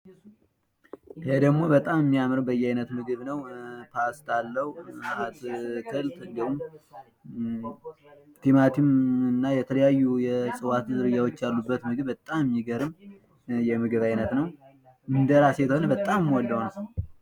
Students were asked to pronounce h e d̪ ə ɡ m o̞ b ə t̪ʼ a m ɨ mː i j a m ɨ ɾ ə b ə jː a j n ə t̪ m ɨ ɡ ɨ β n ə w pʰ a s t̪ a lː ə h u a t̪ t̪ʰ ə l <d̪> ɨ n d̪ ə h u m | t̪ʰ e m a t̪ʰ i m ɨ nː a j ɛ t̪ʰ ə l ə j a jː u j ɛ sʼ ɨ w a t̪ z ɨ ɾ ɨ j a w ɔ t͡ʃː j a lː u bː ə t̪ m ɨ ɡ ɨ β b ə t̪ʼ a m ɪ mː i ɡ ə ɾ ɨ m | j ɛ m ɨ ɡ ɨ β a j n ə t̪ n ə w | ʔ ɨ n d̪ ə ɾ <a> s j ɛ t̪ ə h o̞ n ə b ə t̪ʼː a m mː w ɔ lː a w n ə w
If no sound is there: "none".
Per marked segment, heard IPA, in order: t̪, a

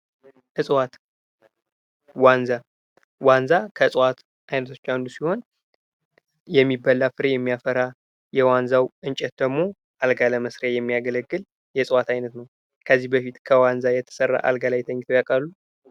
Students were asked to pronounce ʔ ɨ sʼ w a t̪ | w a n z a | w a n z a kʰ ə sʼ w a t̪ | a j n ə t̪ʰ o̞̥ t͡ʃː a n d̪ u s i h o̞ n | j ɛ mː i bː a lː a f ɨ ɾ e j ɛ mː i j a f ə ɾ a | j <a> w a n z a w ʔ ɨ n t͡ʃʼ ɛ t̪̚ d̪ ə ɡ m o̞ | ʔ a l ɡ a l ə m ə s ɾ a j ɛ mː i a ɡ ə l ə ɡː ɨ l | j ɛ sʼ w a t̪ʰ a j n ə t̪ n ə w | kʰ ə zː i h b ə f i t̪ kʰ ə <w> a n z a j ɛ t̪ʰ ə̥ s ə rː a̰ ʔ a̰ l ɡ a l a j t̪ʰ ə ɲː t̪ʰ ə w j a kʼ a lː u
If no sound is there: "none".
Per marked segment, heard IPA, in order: ɛ, w

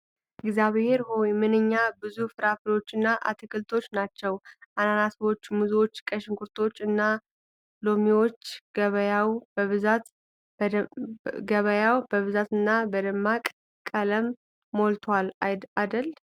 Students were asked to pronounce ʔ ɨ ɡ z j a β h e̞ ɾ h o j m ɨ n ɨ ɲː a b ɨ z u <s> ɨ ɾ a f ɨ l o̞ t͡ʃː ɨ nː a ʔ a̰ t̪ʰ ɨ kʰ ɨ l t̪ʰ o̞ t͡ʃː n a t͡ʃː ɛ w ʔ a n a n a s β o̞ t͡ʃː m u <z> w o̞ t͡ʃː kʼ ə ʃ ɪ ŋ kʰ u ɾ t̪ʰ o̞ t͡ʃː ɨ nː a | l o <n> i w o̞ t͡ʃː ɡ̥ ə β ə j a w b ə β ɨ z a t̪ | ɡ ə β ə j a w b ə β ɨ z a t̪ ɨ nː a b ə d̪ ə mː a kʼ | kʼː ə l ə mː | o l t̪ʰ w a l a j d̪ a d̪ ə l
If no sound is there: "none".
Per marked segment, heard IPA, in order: f, z, m

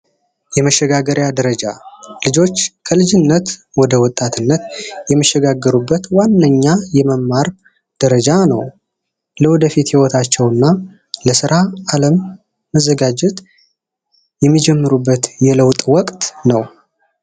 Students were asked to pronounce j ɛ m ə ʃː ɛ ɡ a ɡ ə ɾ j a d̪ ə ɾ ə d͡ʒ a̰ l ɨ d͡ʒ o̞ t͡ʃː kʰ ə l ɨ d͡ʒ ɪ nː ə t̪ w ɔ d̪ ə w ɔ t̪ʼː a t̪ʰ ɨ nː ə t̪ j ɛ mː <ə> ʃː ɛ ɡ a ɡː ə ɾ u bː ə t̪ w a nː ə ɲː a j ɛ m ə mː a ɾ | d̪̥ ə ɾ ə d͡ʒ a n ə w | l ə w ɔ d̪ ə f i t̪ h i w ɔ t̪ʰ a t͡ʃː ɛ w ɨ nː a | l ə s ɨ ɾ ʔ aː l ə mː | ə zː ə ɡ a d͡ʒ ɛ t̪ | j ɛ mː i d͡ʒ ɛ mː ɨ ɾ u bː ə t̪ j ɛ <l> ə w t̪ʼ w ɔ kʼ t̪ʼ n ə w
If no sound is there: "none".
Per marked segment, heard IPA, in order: ə, l

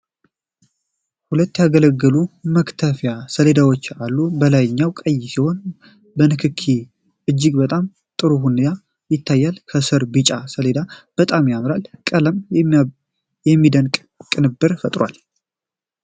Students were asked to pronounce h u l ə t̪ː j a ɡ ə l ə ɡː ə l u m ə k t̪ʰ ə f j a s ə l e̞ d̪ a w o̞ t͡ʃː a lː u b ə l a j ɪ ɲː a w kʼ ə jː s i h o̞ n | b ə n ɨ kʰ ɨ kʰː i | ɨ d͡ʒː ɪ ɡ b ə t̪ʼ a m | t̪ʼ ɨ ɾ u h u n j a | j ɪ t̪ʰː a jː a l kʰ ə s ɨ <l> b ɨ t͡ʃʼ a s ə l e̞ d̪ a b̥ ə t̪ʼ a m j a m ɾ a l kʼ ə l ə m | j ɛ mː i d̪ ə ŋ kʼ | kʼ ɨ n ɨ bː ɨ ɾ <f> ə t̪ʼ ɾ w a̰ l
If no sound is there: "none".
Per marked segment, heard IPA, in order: ɾ, f

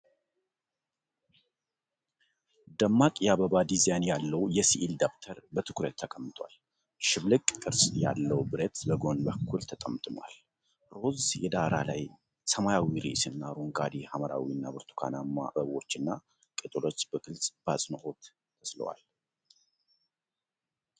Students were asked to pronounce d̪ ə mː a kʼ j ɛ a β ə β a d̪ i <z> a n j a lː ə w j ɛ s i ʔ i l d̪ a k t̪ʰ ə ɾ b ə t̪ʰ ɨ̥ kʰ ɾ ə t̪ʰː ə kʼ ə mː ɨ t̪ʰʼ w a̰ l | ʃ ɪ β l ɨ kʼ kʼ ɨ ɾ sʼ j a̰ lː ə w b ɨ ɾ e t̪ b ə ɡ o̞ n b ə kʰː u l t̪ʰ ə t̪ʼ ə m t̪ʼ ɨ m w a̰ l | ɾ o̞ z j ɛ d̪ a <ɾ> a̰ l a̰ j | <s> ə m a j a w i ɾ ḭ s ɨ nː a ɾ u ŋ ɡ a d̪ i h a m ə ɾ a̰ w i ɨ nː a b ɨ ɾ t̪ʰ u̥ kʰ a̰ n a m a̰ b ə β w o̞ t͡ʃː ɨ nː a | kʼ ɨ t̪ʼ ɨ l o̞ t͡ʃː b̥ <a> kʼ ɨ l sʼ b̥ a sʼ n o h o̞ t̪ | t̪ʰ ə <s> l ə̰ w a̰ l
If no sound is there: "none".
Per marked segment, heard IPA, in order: z, ɾ, s, ə, s

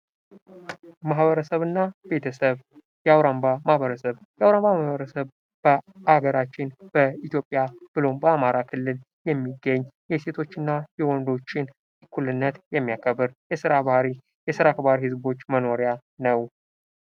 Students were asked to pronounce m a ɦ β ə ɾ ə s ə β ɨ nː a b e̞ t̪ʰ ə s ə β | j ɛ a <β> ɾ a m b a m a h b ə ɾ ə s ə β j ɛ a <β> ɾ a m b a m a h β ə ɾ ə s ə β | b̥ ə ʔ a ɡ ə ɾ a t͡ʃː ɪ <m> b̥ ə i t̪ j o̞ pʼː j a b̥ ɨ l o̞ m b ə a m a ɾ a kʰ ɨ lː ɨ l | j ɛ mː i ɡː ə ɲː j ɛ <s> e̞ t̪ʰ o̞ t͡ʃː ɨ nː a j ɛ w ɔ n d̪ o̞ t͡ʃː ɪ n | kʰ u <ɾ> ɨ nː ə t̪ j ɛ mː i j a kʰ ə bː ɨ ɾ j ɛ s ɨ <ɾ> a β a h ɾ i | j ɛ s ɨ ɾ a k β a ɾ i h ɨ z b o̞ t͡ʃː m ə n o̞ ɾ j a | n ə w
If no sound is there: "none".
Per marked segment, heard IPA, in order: w, w, n, s, l, ɾ

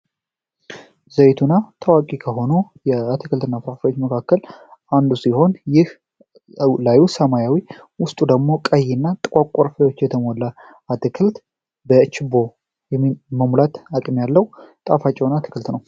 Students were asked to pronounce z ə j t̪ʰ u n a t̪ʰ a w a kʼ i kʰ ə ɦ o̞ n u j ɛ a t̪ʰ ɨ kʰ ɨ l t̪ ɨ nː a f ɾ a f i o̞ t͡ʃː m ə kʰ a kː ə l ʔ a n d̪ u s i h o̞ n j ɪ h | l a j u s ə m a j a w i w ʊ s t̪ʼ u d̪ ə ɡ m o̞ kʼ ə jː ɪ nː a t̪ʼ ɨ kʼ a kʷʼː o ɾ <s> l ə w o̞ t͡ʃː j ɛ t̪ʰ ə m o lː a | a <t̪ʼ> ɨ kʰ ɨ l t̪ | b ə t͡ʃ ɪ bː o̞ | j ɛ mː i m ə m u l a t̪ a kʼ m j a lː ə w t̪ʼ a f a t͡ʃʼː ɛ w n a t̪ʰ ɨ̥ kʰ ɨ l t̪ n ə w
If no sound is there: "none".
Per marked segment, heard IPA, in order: f, t̪

